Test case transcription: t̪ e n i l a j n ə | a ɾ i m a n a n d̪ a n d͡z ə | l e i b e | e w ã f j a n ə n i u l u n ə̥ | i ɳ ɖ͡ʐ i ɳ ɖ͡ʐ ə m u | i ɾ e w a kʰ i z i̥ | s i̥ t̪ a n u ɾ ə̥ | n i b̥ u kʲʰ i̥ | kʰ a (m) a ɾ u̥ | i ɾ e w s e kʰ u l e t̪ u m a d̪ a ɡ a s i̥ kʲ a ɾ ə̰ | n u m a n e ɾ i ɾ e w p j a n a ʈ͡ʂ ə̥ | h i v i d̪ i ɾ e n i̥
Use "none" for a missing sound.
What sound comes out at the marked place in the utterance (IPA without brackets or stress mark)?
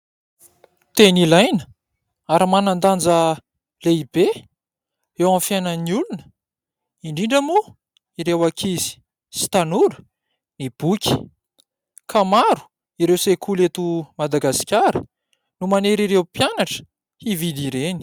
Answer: m